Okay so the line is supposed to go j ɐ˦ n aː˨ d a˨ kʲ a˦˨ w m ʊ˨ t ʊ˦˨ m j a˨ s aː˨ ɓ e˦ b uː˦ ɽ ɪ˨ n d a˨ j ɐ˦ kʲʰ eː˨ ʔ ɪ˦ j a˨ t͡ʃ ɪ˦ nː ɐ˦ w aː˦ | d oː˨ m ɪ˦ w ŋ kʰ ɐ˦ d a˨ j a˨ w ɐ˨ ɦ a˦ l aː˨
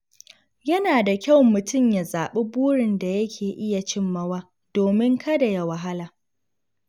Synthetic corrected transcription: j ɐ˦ n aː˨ d a˨ kʲ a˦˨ w m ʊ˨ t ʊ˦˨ m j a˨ z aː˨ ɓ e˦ b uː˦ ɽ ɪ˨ n d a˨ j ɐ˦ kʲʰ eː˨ ʔ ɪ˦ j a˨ t͡ʃ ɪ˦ mː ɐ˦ w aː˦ | d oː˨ m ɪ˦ ŋ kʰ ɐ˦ d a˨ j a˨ w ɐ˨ ɦ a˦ l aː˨